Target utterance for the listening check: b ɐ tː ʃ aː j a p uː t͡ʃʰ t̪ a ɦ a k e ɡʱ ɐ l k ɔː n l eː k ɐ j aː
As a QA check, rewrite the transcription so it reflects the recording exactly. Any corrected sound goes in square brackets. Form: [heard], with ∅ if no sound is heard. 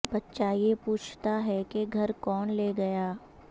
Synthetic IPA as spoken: b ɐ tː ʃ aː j [e] p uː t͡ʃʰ t̪ a ɦ [ɛ] k e ɡʱ ɐ [ɾ] k ɔː n l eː [ɡ] ɐ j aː